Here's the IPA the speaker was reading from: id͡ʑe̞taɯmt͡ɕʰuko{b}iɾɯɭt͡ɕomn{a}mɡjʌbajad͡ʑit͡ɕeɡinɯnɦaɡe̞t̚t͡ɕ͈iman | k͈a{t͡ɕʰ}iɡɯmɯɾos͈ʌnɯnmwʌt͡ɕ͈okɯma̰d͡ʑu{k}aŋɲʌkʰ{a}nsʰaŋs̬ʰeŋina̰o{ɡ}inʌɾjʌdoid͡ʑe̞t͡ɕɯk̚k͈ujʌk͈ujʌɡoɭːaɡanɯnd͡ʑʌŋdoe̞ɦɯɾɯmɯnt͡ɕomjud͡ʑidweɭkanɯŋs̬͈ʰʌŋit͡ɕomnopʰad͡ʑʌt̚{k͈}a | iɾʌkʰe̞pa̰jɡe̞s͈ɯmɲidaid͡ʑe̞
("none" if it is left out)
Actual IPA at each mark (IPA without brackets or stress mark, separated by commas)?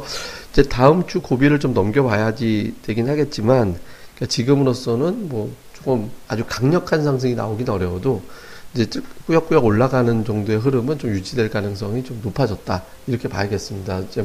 b, ʌ, t͡ɕ, k, a, ɡ, t͈